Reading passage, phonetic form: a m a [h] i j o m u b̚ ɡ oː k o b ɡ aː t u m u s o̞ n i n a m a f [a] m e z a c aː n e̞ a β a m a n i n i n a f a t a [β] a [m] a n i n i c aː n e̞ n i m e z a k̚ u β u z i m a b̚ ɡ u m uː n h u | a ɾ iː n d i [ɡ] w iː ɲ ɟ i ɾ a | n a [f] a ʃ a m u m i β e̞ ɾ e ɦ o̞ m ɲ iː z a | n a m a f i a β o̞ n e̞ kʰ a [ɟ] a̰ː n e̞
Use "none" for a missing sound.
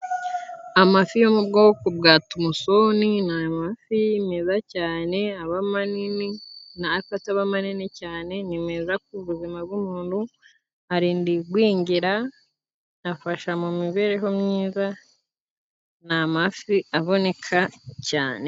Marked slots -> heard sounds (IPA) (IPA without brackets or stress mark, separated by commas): f, i, β, m, ɡ, f, c